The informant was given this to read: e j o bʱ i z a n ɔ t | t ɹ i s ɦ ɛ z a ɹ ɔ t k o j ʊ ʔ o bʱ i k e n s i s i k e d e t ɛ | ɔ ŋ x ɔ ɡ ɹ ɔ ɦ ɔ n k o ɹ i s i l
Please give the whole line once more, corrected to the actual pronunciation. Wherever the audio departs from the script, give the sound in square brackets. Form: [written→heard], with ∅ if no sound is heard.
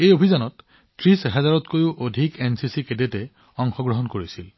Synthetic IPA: e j o bʱ i z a n ɔ t | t ɹ i s ɦ ɛ z a ɹ ɔ t k o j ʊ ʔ o [bʱ→dʱ] i k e n s i s i k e d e t ɛ | ɔ ŋ x ɔ ɡ ɹ ɔ ɦ ɔ n k o ɹ i s i l